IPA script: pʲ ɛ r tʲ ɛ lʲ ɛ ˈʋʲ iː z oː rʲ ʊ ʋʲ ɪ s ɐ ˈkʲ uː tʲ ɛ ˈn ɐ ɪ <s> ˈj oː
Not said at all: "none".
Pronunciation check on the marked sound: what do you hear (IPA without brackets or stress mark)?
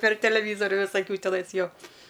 s